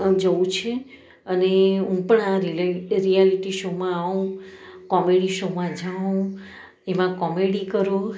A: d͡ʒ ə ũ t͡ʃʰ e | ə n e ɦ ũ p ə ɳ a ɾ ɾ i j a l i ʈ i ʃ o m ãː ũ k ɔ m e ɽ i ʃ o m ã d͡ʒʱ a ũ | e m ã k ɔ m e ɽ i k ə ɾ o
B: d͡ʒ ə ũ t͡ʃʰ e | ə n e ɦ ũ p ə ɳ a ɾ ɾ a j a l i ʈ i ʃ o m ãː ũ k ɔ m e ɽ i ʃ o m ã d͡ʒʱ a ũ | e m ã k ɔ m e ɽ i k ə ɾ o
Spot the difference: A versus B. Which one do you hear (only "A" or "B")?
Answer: A